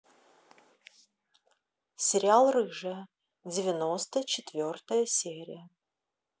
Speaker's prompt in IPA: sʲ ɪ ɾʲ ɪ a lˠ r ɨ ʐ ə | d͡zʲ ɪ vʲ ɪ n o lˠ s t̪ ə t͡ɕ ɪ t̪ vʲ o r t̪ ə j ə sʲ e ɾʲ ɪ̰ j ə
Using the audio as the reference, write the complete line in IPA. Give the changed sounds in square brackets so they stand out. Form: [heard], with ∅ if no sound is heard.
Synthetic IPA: sʲ ɪ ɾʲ ɪ a lˠ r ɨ ʐ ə | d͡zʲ ɪ vʲ ɪ n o [∅] s t̪ ə t͡ɕ ɪ t̪ vʲ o r t̪ ə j ə sʲ e ɾʲ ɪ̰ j ə